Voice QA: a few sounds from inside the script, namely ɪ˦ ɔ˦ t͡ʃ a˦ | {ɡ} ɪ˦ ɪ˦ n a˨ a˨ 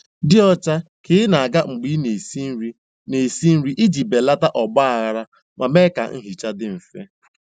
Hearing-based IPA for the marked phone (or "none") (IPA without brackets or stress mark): k